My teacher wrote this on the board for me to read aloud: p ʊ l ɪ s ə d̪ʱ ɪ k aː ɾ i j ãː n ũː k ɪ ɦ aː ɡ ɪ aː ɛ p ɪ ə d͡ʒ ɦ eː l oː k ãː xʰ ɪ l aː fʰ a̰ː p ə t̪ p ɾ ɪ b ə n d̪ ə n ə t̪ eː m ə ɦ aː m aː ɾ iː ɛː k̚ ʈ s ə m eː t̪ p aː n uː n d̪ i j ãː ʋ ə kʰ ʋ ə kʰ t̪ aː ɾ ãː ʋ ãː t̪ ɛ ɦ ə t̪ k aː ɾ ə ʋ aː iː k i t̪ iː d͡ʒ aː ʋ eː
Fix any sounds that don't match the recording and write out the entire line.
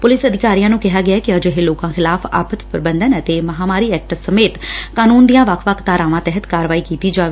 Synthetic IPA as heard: p ʊ l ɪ s ə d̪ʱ ɪ k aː ɾ i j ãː n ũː k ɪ ɦ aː ɡ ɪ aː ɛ k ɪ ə d͡ʒ ɦ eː l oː k ãː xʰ ɪ l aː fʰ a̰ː p ə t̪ p ɾ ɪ b ə n d̪ ə n ə t̪ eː m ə ɦ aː m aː ɾ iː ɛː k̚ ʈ s ə m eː t̪ k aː n uː n d̪ i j ãː ʋ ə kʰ ʋ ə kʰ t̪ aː ɾ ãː ʋ ãː t̪ ɛ ɦ ə t̪ k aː ɾ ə ʋ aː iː k iː t̪ iː d͡ʒ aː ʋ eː